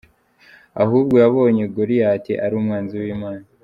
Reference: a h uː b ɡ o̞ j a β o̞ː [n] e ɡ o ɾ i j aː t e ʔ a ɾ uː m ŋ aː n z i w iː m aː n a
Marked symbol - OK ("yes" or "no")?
no